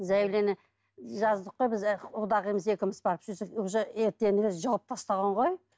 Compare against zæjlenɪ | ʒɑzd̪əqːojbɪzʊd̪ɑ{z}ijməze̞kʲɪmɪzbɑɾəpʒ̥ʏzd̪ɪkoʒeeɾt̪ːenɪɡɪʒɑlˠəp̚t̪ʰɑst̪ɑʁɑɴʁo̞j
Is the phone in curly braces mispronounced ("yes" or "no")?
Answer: yes